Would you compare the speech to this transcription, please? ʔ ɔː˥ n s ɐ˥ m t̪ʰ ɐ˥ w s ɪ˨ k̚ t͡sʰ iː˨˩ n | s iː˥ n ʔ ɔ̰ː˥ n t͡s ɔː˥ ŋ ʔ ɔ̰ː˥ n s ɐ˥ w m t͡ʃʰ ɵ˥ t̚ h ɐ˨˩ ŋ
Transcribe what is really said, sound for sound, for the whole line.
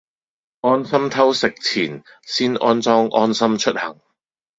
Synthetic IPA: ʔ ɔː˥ n s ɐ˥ m t̪ʰ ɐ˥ w s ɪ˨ k̚ t͡sʰ iː˨˩ n | s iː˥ n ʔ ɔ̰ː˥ n t͡s ɔː˥ ŋ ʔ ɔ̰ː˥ n s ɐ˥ m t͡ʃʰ ɵ˥ t̚ h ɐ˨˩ ŋ